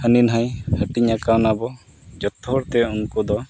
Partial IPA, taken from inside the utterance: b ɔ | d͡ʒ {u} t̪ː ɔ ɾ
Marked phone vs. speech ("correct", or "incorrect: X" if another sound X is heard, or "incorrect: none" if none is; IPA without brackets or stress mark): incorrect: ɔ